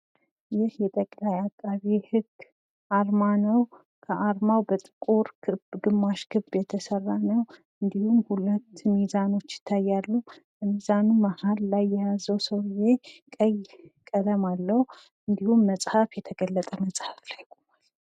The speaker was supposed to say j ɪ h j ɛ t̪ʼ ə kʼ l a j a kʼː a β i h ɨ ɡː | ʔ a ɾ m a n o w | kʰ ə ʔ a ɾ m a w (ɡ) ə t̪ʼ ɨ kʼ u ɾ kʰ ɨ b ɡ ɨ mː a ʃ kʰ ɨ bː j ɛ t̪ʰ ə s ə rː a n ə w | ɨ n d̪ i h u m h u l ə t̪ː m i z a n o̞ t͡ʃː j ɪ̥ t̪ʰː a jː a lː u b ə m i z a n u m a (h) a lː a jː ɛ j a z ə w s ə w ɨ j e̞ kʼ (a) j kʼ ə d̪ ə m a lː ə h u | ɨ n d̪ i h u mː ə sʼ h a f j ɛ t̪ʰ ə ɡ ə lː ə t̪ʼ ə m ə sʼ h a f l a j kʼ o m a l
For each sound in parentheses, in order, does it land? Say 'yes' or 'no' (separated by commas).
no, yes, no